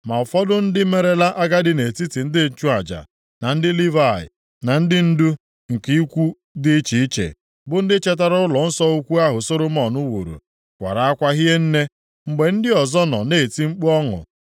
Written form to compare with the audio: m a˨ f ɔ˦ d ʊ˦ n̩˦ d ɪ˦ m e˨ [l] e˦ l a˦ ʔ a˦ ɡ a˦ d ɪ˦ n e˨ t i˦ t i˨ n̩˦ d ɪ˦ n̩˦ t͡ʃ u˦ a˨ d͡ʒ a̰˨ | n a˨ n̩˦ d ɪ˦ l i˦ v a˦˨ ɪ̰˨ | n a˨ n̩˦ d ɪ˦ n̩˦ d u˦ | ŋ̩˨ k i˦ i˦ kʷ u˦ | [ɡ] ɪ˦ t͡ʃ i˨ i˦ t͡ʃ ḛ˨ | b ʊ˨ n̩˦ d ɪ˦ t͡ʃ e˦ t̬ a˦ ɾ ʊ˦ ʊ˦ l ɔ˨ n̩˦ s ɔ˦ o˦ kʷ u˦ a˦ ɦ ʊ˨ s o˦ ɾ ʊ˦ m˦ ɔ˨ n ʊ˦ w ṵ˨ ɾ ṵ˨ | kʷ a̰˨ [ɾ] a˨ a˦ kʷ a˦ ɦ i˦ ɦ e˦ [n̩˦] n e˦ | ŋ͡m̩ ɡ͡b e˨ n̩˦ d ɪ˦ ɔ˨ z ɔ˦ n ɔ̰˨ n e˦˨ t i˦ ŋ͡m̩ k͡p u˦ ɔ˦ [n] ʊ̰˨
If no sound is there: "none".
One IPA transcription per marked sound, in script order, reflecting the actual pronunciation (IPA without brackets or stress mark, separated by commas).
ɾ, d, ɾ, n̩˦, ŋ